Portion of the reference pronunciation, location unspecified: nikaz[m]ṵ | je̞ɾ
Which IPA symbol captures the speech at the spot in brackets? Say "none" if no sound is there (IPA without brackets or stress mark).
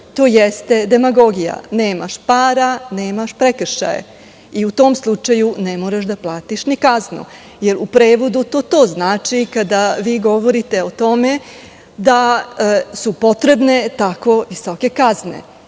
n